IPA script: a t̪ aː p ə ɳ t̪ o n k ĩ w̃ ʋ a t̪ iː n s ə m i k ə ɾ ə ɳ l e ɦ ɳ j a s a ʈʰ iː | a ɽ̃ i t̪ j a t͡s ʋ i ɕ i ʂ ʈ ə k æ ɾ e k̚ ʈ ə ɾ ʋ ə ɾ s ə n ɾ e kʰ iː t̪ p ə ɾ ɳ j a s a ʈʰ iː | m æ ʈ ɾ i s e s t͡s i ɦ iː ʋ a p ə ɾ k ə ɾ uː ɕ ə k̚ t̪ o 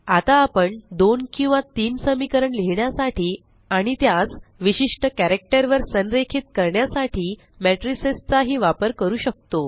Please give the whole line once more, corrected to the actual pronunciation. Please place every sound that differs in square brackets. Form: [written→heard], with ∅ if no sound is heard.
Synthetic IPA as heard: a t̪ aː p ə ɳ [t̪→d̪] o n k ĩ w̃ ʋ a t̪ iː n s ə m i k ə ɾ ə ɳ l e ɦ ɳ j a s a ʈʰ iː | a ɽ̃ i t̪ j a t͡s ʋ i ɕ i ʂ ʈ ə k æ ɾ e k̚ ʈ ə ɾ ʋ ə ɾ s ə n ɾ e kʰ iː t̪ [p→k] ə ɾ ɳ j a s a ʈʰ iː | m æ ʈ ɾ i s e s t͡s [i→a] ɦ iː ʋ a p ə ɾ k ə ɾ uː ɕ ə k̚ t̪ o